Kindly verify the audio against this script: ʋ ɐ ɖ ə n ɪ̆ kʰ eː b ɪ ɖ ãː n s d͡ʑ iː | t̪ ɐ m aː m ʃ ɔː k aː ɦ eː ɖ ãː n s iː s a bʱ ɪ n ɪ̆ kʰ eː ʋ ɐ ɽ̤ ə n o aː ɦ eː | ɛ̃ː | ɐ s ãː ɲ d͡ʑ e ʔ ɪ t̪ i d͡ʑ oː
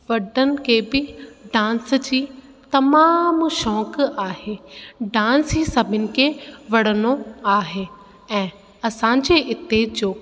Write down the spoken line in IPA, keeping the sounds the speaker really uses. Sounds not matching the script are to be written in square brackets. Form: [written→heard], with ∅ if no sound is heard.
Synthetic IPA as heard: ʋ ɐ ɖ ə n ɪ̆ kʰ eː b ɪ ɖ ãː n s d͡ʑ iː | t̪ ɐ m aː m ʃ ɔː k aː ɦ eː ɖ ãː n s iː s [a→ɐ] bʱ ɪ n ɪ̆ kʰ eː ʋ ɐ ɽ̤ ə n o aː ɦ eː | ɛ̃ː | ɐ s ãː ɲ d͡ʑ e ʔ ɪ t̪ [i→e] d͡ʑ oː

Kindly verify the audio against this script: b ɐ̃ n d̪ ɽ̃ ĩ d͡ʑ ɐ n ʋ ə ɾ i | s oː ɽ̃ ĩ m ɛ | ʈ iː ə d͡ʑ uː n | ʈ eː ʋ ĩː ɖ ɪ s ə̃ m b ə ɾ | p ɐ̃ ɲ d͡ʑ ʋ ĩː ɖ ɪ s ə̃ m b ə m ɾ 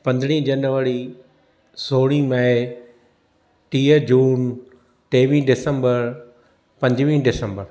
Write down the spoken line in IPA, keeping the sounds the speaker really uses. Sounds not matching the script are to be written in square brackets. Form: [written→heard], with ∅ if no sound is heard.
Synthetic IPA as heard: [b→p] ɐ̃ n d̪ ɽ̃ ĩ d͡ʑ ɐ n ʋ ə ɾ i | s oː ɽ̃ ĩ m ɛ | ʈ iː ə d͡ʑ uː n | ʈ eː ʋ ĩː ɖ ɪ s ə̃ m b ə ɾ | p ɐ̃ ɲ d͡ʑ ʋ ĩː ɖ ɪ s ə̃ m b ə [m→∅] ɾ

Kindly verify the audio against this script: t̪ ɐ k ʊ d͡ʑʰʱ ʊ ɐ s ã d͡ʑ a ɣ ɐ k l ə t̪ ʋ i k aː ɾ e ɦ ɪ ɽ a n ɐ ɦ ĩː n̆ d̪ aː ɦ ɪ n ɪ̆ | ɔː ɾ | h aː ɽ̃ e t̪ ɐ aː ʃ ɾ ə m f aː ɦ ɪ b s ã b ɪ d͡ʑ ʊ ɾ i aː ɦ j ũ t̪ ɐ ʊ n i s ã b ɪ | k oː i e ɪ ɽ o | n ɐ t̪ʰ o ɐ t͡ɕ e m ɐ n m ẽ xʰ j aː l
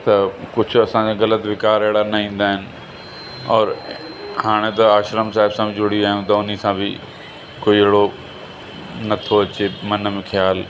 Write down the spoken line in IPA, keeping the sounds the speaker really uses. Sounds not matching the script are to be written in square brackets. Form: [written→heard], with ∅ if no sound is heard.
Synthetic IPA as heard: t̪ ɐ k ʊ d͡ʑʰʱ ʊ ɐ s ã d͡ʑ a ɣ ɐ [k→∅] l ə t̪ ʋ [i→ɪ] k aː ɾ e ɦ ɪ ɽ a n ɐ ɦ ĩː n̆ d̪ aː ɦ ɪ n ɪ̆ | ɔː ɾ | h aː ɽ̃ e t̪ ɐ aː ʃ ɾ ə m [f→s] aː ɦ ɪ b s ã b ɪ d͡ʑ ʊ [ɾ→ɽ] i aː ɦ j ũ t̪ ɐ ʊ n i s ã b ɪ | k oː i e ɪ ɽ o | n ɐ t̪ʰ o ɐ t͡ɕ e m ɐ n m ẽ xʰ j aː l

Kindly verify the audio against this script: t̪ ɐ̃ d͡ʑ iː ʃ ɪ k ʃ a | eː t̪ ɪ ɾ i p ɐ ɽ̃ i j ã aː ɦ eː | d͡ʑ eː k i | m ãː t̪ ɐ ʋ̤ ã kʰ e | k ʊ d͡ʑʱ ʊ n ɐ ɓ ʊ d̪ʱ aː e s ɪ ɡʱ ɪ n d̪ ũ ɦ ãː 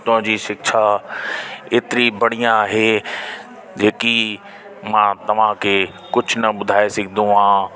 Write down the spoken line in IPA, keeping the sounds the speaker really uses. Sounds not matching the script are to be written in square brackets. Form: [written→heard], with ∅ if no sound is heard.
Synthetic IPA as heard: t̪ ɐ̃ d͡ʑ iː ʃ ɪ k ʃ a | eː t̪ ɪ ɾ i [p→b] ɐ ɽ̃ i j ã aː ɦ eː | d͡ʑ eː k i | m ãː t̪ ɐ ʋ̤ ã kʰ e | k ʊ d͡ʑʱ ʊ n ɐ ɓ ʊ d̪ʱ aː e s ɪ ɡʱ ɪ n d̪ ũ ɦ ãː

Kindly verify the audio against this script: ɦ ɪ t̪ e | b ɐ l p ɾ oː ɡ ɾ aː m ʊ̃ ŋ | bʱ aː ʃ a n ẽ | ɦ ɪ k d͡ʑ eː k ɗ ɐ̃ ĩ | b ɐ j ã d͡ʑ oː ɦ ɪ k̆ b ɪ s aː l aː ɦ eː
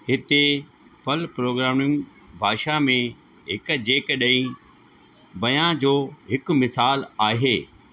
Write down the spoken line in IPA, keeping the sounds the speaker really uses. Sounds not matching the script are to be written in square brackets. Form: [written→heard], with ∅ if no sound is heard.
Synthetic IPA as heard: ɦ ɪ t̪ e | [b→p] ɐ l p ɾ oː ɡ ɾ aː m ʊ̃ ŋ | bʱ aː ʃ a [n→m] ẽ | ɦ ɪ k d͡ʑ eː k ɗ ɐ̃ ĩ | b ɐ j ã d͡ʑ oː ɦ ɪ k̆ [b→m] ɪ s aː l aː ɦ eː

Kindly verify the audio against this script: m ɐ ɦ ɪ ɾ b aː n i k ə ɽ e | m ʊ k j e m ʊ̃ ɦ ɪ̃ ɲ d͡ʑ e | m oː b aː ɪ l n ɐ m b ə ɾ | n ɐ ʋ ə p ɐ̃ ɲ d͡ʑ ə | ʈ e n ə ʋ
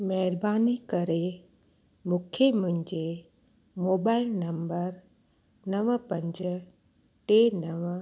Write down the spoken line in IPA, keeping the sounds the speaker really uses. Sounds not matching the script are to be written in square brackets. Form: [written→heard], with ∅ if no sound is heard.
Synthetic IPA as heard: m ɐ ɦ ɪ ɾ b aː n i k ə [ɽ→ɾ] e | m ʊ [k→kʰ] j e m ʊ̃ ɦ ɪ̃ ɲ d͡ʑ e | m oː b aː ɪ l n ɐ m b ə ɾ | n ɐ ʋ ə p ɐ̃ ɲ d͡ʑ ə | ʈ e n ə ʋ

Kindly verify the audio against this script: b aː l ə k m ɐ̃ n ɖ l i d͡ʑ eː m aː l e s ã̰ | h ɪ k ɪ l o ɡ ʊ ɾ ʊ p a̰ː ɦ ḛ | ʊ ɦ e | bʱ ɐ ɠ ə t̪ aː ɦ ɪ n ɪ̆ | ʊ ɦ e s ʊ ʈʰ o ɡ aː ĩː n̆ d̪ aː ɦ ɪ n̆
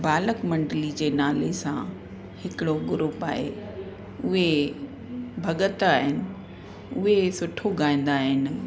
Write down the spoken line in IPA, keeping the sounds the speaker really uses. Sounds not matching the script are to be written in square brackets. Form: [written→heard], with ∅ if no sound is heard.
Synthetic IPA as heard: b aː l ə k m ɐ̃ [n→ɳ] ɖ l i d͡ʑ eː [m→n] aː l e s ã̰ | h ɪ k ɪ [l→ɽ] o ɡ ʊ ɾ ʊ p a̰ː ɦ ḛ | ʊ ɦ e | bʱ ɐ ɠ ə t̪ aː ɦ ɪ n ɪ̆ | ʊ ɦ e s ʊ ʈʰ o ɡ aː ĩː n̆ d̪ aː ɦ ɪ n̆

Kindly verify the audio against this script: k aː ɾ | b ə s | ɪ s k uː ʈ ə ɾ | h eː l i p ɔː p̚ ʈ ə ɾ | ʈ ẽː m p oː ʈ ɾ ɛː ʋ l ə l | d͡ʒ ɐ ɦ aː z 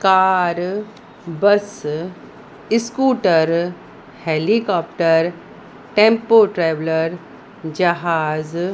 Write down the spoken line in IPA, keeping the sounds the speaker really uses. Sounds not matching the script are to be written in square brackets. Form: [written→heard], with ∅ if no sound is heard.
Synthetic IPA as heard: k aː ɾ | b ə s | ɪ s k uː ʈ ə ɾ | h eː l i [p→k] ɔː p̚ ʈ ə ɾ | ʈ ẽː m p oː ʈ ɾ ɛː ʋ l ə [l→ɾ] | d͡ʒ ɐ ɦ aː z

